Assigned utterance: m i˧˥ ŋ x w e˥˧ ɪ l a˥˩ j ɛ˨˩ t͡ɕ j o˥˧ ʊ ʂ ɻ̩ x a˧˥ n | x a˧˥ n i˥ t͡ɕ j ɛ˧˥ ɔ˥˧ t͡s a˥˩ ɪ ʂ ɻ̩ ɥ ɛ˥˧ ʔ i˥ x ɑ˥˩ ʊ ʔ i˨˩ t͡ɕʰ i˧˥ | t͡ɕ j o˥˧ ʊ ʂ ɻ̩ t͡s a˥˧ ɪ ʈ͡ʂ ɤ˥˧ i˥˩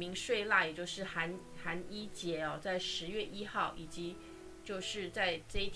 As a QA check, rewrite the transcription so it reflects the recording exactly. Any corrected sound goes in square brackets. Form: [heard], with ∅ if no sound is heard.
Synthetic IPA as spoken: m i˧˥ ŋ [ʂ] w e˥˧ ɪ l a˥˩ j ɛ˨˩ t͡ɕ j o˥˧ ʊ ʂ ɻ̩ x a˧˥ n | x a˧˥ n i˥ t͡ɕ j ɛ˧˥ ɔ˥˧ t͡s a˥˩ ɪ ʂ ɻ̩ ɥ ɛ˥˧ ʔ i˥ x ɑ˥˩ ʊ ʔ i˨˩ [t͡ɕ] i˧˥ | t͡ɕ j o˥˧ ʊ ʂ ɻ̩ t͡s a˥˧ ɪ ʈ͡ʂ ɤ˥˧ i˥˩